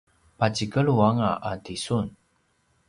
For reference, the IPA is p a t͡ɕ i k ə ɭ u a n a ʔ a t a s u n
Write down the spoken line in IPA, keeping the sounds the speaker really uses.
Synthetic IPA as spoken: p a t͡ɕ i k ə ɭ u a ŋ a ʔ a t i s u n